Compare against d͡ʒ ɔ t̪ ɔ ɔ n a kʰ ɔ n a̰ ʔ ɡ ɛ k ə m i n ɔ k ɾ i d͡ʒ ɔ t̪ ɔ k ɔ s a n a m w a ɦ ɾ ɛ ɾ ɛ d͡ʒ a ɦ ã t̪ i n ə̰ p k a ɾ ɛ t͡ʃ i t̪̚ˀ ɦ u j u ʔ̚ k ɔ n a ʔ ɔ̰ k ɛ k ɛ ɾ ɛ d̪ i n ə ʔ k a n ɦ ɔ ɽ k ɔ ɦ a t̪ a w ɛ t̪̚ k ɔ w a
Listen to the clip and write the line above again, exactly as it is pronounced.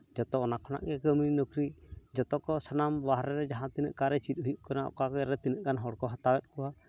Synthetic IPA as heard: d͡ʒ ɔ t̪ ɔ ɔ n a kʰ ɔ n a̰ ʔ ɡ ɛ k ə m i n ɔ k ɾ i d͡ʒ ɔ t̪ ɔ k ɔ s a n a m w a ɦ ɾ ɛ ɾ ɛ d͡ʒ a ɦ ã t̪ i n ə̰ ʔ k a ɾ ɛ t͡ʃ i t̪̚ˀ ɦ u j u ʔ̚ k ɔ n a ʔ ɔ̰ k a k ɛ ɾ ɛ t̪ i n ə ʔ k a n ɦ ɔ ɽ k ɔ ɦ a t̪ a w ɛ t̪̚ k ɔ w a

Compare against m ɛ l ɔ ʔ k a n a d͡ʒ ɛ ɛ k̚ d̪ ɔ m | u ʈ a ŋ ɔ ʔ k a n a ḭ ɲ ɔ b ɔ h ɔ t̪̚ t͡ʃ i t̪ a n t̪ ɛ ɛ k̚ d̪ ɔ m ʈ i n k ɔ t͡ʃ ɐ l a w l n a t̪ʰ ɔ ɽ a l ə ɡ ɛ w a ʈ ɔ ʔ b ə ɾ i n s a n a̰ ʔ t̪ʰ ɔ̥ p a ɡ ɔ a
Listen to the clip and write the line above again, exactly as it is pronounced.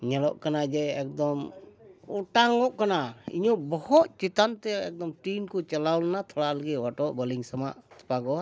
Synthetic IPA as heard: ɲ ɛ l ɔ ʔ k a n a d͡ʒ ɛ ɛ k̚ d̪ ɔ m | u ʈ a ŋ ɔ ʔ k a n a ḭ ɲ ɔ b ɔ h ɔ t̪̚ t͡ʃ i t̪ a n t̪ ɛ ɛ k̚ d̪ ɔ m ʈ i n k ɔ t͡ʃ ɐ l a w l n a t̪ʰ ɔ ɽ a l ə ɡ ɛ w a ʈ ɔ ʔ b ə l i ŋ s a m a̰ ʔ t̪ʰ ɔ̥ p a ɡ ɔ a

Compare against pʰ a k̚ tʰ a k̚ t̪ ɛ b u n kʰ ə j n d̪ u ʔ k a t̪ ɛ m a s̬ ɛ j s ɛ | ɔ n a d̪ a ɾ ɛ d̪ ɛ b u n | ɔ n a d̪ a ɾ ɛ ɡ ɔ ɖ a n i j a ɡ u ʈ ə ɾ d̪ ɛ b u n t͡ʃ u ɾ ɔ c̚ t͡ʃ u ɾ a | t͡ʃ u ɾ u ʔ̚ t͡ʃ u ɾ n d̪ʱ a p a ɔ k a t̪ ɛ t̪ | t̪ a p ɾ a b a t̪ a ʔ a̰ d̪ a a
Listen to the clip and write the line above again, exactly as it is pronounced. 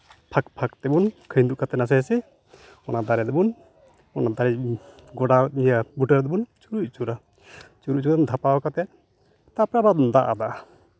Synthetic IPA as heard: pʰ a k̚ pʰ a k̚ t̪ ɛ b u n kʰ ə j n d̪ u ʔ k a t̪ ɛ n a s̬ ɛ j s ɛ | ɔ n a d̪ a ɾ ɛ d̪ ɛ b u n | ɔ n a d̪ a ɾ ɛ ɡ ɔ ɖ a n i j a b u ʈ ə ɾ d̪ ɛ b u n t͡ʃ u ɾ u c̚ t͡ʃ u ɾ a | t͡ʃ u ɾ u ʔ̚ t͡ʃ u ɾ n d̪ʱ a p a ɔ k a t̪ ɛ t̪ | t̪ a p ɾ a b a d̪ a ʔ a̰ d̪ a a

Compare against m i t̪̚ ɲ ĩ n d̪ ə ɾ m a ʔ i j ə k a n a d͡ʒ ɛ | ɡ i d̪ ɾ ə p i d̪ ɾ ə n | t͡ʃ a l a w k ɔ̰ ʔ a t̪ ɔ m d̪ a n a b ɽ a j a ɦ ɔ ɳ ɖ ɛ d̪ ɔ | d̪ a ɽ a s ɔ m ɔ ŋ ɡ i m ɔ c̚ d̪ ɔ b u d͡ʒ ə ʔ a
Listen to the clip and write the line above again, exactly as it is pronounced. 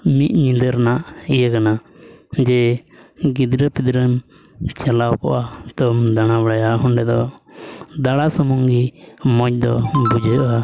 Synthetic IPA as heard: m i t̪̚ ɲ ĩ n d̪ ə ɾ n a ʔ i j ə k a n a d͡ʒ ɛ | ɡ i d̪ ɾ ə p i d̪ ɾ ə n | t͡ʃ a l a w k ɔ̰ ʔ a t̪ ɔ m d̪ a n a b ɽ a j a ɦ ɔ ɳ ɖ ɛ d̪ ɔ | d̪ a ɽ a s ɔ m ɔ ŋ ɡ i m ɔ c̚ d̪ ɔ b u d͡ʒ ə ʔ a

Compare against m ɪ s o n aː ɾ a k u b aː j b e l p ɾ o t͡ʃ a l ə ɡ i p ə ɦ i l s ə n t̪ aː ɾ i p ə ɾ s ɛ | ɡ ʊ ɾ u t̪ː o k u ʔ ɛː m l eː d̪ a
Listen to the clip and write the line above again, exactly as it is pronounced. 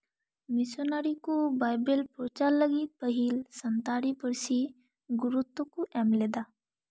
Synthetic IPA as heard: m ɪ s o n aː ɾ i k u b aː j b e l p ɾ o t͡ʃ a l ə ɡ i p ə ɦ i l s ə n t̪ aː ɾ i p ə ɾ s i | ɡ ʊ ɾ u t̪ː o k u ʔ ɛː m l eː d̪ a

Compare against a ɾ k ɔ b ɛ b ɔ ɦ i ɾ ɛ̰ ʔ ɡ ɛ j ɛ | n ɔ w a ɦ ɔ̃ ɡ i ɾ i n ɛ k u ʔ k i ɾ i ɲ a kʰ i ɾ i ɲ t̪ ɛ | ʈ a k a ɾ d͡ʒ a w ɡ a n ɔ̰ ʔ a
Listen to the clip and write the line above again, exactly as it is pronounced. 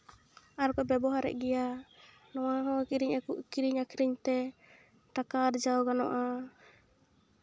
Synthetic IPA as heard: a ɾ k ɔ b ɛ b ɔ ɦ a ɾ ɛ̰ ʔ ɡ ɛ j a | n ɔ w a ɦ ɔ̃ k i ɾ i ɲ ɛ k u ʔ k i ɾ i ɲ a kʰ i ɾ i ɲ t̪ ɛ | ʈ a k a ɾ d͡ʒ a w ɡ a n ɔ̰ ʔ a

